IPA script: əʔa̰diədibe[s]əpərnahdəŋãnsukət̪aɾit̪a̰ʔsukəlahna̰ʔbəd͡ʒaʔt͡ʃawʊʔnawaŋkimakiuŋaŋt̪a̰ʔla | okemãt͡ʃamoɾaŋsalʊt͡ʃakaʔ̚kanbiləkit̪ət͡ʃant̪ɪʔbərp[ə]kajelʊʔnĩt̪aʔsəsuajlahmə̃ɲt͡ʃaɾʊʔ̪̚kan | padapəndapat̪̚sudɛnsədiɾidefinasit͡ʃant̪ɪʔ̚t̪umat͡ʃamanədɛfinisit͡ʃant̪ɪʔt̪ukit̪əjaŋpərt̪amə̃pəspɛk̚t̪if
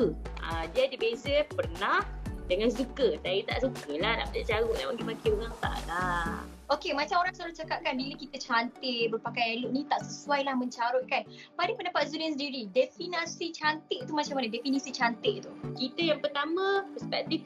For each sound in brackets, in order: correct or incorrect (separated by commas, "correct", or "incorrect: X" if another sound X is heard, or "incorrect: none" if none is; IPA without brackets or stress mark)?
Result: incorrect: z, incorrect: a